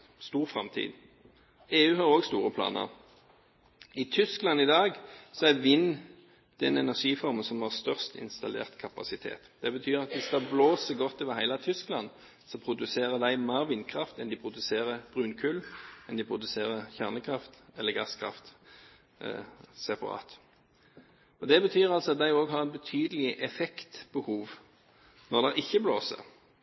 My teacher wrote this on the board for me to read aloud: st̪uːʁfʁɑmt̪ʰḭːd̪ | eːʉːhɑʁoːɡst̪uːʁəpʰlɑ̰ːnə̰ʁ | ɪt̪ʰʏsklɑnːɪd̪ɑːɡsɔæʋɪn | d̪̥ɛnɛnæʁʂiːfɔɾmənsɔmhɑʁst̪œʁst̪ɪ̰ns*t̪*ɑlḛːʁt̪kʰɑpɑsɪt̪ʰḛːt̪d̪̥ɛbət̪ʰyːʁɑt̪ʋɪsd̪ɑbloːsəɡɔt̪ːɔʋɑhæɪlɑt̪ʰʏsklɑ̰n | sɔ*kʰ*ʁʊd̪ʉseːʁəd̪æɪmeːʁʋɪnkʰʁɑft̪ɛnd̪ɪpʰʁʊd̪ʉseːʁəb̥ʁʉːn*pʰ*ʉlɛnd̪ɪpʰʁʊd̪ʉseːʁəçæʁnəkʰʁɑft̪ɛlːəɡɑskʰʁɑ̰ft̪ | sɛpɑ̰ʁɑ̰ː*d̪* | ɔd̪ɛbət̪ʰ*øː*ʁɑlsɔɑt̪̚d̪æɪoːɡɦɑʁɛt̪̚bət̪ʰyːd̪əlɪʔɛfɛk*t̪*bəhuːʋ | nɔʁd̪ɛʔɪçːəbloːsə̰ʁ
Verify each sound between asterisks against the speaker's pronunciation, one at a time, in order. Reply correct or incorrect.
correct, incorrect: pʰ, incorrect: kʰ, incorrect: t̪, incorrect: yː, correct

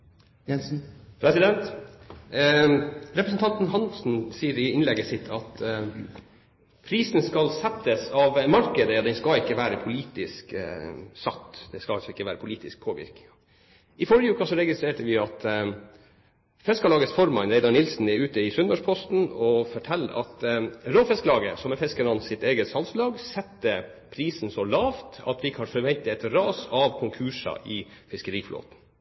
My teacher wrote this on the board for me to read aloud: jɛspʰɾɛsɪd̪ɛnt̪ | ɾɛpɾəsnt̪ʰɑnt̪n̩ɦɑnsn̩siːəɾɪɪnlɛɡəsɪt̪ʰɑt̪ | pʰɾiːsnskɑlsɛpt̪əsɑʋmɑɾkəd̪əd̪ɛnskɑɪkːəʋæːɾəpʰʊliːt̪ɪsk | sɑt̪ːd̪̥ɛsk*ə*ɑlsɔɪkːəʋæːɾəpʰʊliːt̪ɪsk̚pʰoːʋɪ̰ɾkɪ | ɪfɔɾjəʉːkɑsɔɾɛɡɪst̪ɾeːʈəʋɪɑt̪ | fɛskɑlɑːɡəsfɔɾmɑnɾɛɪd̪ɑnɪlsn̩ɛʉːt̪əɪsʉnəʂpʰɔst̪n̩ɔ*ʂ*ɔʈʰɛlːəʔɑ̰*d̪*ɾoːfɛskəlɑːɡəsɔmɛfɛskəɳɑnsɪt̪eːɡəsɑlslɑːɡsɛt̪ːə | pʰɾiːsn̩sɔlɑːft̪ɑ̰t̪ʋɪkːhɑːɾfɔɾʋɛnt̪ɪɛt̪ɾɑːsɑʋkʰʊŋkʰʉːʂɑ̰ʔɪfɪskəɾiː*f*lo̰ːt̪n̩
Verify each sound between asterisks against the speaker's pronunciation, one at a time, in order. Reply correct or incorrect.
incorrect: ɑ, incorrect: f, incorrect: t̪, correct

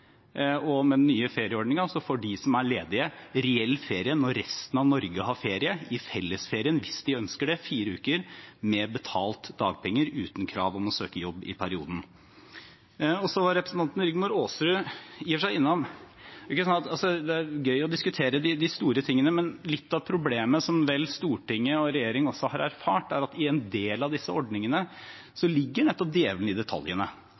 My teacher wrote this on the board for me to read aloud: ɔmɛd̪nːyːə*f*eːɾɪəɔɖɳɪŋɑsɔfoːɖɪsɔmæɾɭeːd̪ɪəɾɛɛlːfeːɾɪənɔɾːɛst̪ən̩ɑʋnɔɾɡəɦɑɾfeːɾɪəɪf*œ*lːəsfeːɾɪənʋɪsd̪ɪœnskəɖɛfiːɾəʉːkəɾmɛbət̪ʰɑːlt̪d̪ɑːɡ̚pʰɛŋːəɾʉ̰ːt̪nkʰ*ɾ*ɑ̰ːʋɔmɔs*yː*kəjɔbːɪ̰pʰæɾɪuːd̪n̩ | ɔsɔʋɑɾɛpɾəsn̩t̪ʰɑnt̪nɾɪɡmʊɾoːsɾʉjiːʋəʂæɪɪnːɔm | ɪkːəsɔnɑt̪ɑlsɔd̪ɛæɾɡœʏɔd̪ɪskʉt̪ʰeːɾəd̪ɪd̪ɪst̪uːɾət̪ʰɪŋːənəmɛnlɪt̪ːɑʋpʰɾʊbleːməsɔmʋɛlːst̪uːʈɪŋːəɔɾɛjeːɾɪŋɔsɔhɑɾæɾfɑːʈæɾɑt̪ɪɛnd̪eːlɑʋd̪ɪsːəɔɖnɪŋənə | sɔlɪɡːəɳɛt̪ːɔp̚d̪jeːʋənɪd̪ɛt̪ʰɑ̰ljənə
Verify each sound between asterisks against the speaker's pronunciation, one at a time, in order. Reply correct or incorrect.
correct, incorrect: ɛ, correct, incorrect: øː

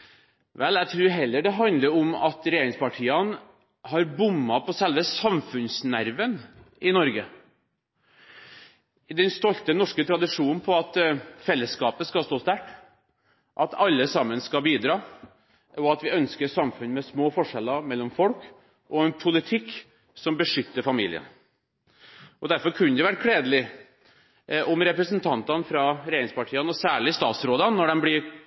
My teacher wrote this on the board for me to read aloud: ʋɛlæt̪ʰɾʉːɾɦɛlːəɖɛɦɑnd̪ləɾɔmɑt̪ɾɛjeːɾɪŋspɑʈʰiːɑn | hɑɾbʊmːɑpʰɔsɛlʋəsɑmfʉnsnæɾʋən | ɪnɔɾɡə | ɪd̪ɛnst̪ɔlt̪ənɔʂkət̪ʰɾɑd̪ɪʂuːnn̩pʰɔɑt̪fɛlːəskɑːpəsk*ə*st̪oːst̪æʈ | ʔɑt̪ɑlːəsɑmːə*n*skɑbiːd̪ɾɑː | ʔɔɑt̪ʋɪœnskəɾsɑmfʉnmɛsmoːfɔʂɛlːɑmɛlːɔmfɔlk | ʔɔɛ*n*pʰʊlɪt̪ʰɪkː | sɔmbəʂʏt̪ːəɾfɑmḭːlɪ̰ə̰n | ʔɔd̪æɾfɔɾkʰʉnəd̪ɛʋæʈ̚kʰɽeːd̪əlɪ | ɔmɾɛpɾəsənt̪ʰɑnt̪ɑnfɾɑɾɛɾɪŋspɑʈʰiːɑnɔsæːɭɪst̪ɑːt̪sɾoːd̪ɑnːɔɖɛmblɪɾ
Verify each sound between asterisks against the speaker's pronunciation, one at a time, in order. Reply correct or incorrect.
incorrect: ɑ, correct, correct

